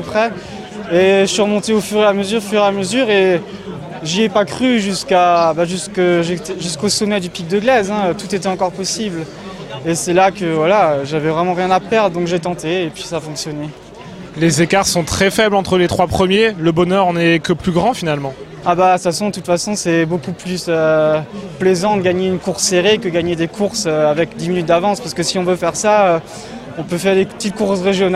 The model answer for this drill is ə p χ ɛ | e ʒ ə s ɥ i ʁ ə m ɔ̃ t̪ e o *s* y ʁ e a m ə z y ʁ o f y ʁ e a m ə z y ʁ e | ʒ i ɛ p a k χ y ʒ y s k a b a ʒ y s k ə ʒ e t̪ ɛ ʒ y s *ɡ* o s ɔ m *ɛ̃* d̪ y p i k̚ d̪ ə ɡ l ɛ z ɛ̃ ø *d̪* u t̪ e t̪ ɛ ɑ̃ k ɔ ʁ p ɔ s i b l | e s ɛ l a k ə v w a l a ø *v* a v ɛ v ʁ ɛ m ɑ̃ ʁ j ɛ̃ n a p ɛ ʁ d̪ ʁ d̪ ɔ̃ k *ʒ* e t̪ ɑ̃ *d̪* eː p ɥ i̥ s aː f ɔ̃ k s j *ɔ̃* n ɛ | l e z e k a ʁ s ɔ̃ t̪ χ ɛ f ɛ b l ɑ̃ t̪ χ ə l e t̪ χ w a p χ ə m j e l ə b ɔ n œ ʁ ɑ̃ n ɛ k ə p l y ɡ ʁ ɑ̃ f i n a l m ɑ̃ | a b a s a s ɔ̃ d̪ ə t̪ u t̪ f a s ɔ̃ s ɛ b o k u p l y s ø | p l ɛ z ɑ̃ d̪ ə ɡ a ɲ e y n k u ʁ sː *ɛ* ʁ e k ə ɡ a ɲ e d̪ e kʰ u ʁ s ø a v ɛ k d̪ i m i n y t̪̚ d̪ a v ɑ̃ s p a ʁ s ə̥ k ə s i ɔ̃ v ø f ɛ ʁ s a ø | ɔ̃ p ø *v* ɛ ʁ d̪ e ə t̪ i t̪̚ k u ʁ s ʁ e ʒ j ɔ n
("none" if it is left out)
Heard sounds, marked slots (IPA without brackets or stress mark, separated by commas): f, k, ɛ, t̪, ʒ, ʒ, t̪, ɔ, e, f